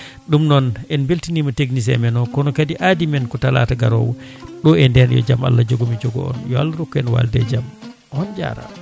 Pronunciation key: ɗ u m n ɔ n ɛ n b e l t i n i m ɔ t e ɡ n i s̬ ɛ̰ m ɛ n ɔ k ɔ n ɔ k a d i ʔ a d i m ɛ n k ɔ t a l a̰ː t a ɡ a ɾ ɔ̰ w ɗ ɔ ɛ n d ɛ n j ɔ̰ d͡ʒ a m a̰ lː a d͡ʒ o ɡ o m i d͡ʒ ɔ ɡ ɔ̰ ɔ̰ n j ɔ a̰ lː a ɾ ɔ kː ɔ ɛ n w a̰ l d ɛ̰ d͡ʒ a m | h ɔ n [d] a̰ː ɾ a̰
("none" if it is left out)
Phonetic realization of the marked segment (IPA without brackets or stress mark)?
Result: d͡ʒ